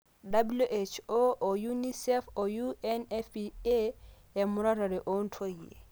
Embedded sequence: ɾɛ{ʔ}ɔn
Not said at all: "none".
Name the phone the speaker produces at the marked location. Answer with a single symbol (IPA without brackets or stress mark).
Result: ʔ